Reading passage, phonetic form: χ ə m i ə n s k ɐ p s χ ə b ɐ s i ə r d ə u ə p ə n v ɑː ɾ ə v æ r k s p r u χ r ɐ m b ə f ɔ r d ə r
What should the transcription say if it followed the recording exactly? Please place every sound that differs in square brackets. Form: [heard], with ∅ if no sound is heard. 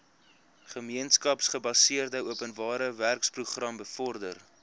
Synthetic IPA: χ ə m i ə n s k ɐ p s χ ə b ɐ s i ə r d ə u ə p ə n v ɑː ɾ ə v æ r k s p r u χ r ɐ m b ə f ɔ r d ə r